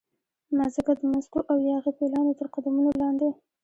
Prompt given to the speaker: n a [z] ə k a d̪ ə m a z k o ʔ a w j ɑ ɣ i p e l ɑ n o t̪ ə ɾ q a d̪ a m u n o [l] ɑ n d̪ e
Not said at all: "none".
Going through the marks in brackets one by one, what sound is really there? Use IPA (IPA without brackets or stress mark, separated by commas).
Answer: z, l